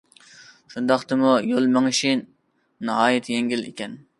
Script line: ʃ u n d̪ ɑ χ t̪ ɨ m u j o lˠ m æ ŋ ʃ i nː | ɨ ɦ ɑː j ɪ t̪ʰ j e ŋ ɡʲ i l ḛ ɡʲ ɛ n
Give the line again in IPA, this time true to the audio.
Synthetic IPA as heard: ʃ u n d̪ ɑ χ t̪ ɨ m u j o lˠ m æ ŋ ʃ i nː | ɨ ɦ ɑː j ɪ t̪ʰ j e ŋ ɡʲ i l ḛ kʲ ɛ n